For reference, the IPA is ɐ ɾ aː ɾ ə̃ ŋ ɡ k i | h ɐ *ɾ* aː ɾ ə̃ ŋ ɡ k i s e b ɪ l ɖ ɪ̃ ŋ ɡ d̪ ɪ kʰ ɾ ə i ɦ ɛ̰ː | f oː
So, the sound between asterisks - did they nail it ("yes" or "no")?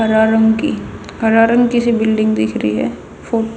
yes